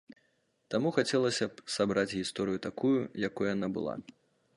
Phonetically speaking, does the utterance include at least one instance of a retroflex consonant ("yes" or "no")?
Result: no